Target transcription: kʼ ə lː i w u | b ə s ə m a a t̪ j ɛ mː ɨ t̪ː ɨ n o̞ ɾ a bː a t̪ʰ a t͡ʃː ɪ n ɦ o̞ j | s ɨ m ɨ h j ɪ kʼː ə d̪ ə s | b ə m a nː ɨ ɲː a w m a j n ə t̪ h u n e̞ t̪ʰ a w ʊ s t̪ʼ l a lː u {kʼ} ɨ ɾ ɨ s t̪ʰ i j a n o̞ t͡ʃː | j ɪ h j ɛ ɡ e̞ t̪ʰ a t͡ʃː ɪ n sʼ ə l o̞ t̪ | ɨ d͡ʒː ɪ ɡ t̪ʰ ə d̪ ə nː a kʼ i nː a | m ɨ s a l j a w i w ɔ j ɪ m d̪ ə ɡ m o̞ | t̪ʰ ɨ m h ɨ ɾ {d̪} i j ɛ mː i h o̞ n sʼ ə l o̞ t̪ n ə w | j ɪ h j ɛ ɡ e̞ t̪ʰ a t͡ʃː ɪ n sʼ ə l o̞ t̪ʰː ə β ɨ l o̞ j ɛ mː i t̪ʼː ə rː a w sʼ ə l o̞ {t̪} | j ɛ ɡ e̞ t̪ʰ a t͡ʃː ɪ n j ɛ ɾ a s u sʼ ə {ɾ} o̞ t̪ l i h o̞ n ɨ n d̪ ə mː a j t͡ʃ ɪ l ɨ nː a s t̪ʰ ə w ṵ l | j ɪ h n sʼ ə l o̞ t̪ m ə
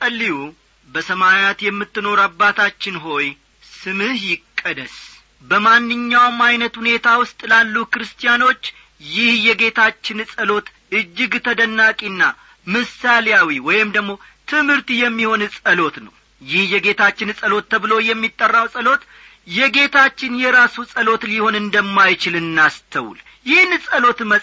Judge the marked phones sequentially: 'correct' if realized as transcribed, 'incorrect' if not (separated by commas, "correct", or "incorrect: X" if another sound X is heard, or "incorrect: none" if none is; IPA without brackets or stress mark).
incorrect: k, incorrect: t̪, correct, incorrect: l